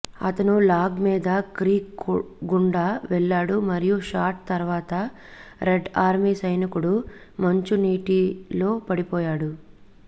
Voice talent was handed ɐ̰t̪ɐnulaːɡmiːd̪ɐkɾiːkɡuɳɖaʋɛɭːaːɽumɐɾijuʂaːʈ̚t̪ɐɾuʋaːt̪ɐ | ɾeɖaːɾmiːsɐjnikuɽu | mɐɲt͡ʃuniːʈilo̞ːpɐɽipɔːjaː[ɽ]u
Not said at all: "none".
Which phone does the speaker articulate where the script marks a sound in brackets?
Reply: ɽ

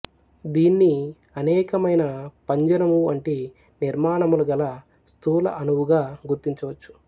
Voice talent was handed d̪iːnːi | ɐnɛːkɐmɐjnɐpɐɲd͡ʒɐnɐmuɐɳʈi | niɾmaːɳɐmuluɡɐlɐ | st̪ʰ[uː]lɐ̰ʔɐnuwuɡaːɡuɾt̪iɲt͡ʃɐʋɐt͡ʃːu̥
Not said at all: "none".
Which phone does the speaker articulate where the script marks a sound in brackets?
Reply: uː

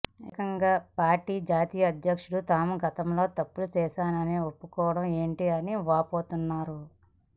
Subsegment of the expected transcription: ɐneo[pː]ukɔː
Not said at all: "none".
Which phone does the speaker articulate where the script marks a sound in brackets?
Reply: pː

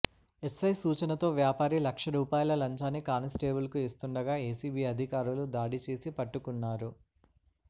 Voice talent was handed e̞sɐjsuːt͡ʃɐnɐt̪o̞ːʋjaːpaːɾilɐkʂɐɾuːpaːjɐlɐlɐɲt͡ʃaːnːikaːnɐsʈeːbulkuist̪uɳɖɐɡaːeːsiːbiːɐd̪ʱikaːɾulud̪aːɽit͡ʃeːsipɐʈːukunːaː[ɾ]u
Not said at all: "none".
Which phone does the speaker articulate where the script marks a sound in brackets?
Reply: ɾ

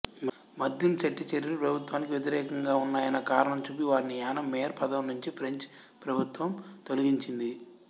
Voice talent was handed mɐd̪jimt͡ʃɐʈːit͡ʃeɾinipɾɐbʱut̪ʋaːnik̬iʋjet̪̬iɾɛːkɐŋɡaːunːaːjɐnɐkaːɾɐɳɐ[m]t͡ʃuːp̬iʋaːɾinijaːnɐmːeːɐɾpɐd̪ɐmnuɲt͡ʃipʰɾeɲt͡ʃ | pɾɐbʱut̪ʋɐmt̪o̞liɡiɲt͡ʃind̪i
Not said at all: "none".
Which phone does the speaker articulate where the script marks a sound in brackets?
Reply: m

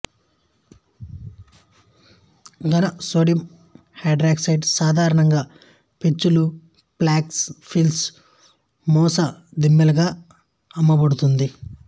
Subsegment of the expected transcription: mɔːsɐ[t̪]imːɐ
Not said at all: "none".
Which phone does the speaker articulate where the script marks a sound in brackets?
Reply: d̪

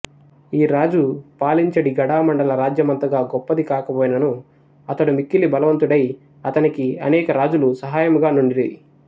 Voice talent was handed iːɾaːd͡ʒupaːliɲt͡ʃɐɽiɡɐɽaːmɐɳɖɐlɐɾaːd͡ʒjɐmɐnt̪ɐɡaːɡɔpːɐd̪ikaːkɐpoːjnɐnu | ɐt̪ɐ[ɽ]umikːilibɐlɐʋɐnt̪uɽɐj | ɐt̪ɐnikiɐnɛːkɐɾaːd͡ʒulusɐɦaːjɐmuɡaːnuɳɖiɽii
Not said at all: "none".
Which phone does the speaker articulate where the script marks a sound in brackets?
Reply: ɽ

